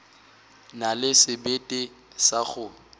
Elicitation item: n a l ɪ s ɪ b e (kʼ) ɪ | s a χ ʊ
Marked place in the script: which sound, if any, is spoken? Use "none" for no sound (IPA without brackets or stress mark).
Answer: tʼ